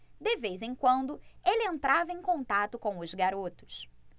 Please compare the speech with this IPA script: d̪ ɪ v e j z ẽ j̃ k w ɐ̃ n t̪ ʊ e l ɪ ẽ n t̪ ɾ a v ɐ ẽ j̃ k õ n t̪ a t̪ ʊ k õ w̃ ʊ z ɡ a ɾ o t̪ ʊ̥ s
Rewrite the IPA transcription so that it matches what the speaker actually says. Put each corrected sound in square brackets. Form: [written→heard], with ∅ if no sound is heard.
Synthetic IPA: d̪ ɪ v e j z ẽ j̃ k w ɐ̃ n [t̪→d̪] ʊ e l ɪ ẽ n t̪ ɾ a v ɐ ẽ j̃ k õ n t̪ a t̪ ʊ k õ w̃ ʊ z ɡ a ɾ o t̪ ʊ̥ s